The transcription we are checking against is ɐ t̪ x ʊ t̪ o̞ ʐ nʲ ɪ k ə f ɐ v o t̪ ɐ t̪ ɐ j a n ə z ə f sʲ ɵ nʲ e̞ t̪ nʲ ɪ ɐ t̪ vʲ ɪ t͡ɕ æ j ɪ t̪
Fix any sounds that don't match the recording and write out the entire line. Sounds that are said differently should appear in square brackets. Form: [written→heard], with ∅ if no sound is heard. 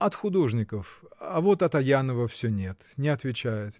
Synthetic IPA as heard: ɐ t̪ x ʊ [t̪→d̪] o̞ ʐ nʲ ɪ k ə f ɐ v o t̪ ɐ t̪ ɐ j a n ə [z→v] ə f sʲ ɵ nʲ e̞ t̪ nʲ ɪ ɐ t̪ vʲ ɪ t͡ɕ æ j ɪ t̪

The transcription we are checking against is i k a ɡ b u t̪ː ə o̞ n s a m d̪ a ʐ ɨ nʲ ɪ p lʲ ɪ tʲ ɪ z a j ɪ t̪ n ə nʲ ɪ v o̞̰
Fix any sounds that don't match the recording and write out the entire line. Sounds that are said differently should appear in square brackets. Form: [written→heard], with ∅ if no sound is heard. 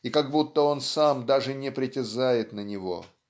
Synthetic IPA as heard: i k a ɡ b u t̪ː ə o̞ n s a m d̪ a ʐ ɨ nʲ ɪ p [lʲ→ɾʲ] ɪ tʲ ɪ z a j ɪ t̪ n ə nʲ ɪ v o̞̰

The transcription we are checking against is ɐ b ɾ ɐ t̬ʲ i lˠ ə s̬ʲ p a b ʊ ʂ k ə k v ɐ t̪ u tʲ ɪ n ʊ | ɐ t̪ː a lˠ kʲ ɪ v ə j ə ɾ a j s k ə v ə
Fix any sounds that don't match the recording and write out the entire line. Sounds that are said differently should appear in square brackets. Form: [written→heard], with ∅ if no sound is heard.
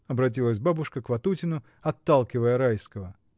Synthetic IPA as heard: ɐ b ɾ ɐ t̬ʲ i lˠ ə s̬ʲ [p→b] a b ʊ ʂ k ə k v ɐ t̪ u tʲ ɪ n ʊ | ɐ t̪ː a lˠ kʲ ɪ v ə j ə ɾ a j s k ə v ə

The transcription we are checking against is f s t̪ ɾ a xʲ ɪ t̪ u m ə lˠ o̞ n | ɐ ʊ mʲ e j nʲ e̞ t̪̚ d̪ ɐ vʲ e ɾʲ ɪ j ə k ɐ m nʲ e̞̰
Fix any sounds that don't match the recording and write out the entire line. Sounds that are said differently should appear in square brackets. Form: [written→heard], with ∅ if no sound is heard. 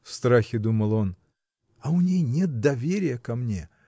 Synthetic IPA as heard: f s t̪ ɾ a xʲ ɪ [t̪→d̪] u m ə lˠ o̞ n | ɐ ʊ [mʲ→nʲ] e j nʲ e̞ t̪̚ d̪ ɐ vʲ e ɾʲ ɪ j ə k ɐ m nʲ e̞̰

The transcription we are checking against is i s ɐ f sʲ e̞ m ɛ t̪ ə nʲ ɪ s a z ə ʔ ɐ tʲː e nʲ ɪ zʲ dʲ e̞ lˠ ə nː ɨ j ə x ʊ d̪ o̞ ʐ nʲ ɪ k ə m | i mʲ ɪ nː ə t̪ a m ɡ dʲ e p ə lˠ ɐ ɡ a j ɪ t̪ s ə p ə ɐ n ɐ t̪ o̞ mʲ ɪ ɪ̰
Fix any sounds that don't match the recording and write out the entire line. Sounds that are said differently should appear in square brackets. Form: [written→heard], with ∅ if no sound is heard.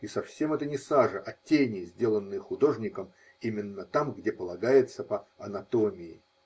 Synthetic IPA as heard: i s ɐ f sʲ e̞ m ɛ t̪ ə nʲ ɪ s a [z→ʐ] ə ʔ ɐ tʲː e nʲ ɪ zʲ dʲ e̞ lˠ ə nː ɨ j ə x ʊ d̪ o̞ ʐ nʲ ɪ k ə m | i mʲ ɪ nː ə t̪ a m ɡ dʲ e p ə lˠ ɐ ɡ a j ɪ t̪ s ə p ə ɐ n ɐ t̪ o̞ mʲ ɪ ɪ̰

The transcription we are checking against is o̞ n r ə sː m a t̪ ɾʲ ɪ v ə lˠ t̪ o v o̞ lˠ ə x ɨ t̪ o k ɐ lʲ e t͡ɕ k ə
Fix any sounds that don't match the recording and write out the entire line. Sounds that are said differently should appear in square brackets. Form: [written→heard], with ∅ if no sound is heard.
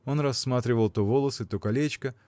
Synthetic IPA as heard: o̞ n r [ə→ɐ] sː m a t̪ ɾʲ ɪ v ə lˠ t̪ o v o̞ lˠ ə [x→s] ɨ t̪ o k ɐ lʲ e t͡ɕ k ə

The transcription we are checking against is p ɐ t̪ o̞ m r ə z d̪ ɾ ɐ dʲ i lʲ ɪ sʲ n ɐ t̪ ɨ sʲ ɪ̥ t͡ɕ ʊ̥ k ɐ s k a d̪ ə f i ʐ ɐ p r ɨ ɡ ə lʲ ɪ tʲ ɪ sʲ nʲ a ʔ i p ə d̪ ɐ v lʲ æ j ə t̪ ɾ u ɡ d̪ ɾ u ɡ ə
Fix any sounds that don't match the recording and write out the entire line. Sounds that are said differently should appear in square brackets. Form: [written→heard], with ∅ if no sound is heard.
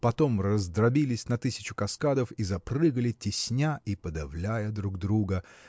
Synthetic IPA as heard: p ɐ t̪ o̞ m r ə z d̪ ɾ ɐ [dʲ→bʲ] i lʲ ɪ sʲ n ɐ t̪ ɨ sʲ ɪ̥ t͡ɕ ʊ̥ k ɐ s k a d̪ ə f i [ʐ→z] ɐ p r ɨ ɡ ə lʲ ɪ tʲ ɪ sʲ nʲ a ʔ i p ə d̪ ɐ v lʲ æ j ə [t̪→d̪] ɾ u ɡ d̪ ɾ u ɡ ə

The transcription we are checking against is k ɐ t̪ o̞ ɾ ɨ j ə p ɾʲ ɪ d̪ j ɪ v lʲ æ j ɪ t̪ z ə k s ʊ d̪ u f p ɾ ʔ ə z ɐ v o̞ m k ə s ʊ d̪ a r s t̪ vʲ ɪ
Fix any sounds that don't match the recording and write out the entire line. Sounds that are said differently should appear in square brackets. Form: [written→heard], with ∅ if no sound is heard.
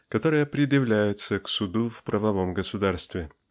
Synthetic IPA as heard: k ɐ t̪ o̞ ɾ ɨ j ə p ɾʲ ɪ d̪ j ɪ v lʲ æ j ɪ t̪ [z→s] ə k s ʊ d̪ u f p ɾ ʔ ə [z→v] ɐ v o̞ m [k→ɡ] ə s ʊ d̪ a r s t̪ vʲ ɪ

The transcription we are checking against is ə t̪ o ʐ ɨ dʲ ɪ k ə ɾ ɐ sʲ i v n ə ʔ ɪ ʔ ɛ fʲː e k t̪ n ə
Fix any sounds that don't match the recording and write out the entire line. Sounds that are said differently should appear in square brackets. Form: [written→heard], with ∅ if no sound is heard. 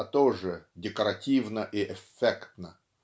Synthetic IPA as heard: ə t̪ o ʐ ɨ dʲ ɪ k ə ɾ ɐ [sʲ→tʲ] i v n ə ʔ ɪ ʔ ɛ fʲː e k t̪ n ə

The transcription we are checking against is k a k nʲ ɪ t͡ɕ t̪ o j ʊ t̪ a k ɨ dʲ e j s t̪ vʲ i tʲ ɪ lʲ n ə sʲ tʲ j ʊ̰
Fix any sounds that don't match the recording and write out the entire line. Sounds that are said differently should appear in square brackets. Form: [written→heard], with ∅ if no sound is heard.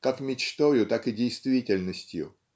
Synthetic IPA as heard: k a k [nʲ→mʲ] ɪ t͡ɕ t̪ o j ʊ t̪ a k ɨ dʲ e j s t̪ vʲ i tʲ ɪ lʲ n ə sʲ tʲ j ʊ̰

